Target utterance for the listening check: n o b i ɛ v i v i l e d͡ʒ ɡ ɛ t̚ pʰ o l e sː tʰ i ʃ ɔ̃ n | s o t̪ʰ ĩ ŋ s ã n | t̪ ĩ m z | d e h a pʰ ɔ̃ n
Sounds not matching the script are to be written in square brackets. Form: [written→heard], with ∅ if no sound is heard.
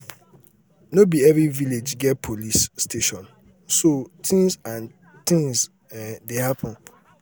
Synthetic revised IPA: n o b i ɛ v i v i l e d͡ʒ ɡ ɛ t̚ pʰ o l [e→i] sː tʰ [i→e] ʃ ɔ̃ n | s o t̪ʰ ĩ ŋ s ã n | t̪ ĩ [m→ŋ] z | d e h a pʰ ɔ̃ n